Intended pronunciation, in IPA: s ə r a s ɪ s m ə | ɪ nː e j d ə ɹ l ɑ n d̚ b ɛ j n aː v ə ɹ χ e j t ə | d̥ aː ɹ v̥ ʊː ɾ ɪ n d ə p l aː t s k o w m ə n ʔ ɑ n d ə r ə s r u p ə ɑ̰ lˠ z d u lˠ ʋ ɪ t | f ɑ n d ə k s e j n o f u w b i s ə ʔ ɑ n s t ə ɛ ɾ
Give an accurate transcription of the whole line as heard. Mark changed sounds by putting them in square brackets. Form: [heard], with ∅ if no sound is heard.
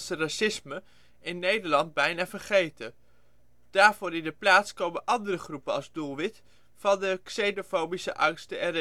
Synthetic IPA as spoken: s ə r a s ɪ s m ə | ɪ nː e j d ə ɹ l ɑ n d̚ b ɛ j n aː v ə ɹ χ e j t ə | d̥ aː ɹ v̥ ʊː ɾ ɪ n d ə p l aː t s k o w m ə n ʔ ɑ n d ə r ə [χ] r u p ə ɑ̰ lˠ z d u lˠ ʋ ɪ t | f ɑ n d ə k s e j n o f [o] w b i s ə ʔ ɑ [ŋ] s t ə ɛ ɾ